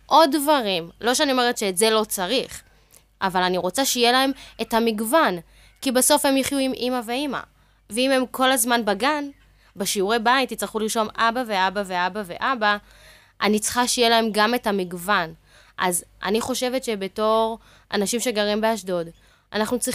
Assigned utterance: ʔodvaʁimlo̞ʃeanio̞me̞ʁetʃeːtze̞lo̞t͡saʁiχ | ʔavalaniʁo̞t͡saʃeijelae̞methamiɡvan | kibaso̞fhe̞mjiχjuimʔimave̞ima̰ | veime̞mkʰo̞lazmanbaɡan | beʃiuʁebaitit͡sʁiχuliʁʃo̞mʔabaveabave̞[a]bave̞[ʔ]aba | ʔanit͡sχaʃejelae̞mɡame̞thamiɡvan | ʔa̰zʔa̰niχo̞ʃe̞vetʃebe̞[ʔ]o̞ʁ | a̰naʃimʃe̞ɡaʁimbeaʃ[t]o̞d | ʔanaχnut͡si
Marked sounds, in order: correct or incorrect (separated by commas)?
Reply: correct, correct, incorrect, incorrect